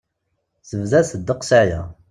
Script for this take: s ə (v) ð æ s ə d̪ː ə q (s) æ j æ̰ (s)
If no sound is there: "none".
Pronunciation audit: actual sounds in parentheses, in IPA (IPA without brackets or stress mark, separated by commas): v, s, none